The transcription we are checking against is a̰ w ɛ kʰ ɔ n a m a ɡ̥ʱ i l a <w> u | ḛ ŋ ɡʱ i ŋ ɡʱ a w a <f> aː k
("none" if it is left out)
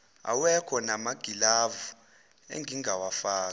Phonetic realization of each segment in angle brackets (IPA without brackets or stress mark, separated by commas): v, f